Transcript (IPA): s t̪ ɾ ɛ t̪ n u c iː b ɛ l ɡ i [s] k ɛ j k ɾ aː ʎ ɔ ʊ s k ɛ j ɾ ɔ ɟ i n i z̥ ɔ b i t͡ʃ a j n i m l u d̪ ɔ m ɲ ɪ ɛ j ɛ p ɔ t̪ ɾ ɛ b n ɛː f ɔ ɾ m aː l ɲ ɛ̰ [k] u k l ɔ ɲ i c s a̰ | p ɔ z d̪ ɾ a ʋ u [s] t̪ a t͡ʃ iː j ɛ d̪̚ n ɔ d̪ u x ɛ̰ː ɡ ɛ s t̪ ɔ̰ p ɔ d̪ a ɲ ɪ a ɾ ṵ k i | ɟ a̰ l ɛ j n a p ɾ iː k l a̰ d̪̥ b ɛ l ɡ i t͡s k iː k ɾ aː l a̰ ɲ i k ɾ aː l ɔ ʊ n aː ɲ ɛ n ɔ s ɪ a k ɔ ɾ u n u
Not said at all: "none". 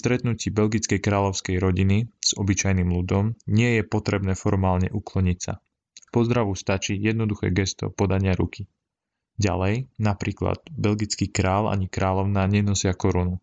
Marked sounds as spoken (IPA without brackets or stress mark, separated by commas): t͡s, ʔ, s